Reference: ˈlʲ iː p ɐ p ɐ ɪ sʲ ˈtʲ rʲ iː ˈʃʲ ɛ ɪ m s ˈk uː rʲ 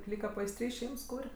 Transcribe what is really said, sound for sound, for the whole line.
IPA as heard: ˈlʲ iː k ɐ p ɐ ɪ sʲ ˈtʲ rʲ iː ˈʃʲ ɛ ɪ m s ˈk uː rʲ

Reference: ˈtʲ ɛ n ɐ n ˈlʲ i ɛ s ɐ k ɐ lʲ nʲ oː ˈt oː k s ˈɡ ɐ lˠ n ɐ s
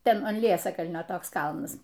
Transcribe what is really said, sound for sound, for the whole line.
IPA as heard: ˈtʲ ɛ n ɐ n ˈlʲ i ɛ s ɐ k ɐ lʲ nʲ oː ˈt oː k s ˈk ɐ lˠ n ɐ s

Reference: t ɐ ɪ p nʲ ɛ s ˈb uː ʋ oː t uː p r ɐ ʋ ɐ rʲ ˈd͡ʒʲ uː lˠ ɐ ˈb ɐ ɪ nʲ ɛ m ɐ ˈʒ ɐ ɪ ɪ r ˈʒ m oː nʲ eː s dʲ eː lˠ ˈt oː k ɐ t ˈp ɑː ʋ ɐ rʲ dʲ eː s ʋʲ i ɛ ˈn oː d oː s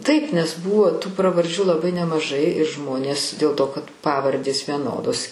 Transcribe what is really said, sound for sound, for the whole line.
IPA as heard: t ɐ ɪ p nʲ ɛ s ˈb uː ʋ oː t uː p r ɐ ʋ ɐ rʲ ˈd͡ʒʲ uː lˠ ɐ ˈb ɐ ɪ nʲ ɛ m ɐ ˈʒ ɐ ɪ ɪ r ˈʒ m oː nʲ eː s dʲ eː lˠ ˈt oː k ɐ t ˈp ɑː ʋ ɐ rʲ dʲ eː s ʋʲ i ɛ ˈn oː d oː s

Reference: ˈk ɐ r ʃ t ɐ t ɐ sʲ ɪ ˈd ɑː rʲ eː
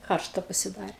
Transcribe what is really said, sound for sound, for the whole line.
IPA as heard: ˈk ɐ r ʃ t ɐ p ɐ sʲ ɪ ˈd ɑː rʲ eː

